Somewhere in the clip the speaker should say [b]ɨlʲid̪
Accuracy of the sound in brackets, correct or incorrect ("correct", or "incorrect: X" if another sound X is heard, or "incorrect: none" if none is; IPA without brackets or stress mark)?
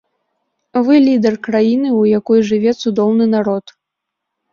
incorrect: v